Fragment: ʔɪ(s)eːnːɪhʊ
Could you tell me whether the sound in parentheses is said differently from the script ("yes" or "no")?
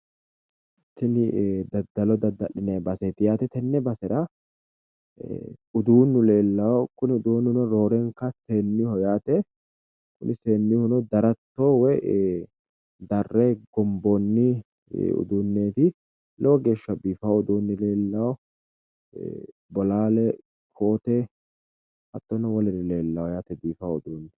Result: no